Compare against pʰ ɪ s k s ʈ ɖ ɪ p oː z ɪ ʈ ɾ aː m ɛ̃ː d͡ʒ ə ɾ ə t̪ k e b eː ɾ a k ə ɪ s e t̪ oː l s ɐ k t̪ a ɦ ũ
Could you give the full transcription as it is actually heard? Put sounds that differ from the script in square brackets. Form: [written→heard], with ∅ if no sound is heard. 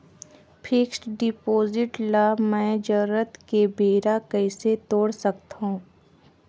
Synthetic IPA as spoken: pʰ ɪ [s→∅] k s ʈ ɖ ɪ p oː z ɪ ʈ [ɾ→l] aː m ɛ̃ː d͡ʒ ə ɾ ə t̪ k e b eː ɾ a k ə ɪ s e t̪ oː [l→ɽ] s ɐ k t̪ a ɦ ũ